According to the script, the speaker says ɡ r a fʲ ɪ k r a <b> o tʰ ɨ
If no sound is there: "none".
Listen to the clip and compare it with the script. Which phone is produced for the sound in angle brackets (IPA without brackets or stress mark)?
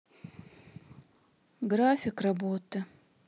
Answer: b